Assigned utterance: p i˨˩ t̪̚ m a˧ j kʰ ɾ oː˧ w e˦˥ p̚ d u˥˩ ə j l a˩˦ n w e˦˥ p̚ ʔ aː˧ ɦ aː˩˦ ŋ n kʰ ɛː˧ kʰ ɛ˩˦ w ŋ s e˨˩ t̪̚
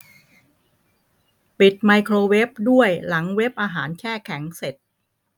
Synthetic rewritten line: p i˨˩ t̪̚ m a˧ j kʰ ɾ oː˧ w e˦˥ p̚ d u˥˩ ə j l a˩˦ ŋ w e˦˥ p̚ ʔ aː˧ ɦ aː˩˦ n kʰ ɛː˥˩ kʰ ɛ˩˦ ŋ s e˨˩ t̪̚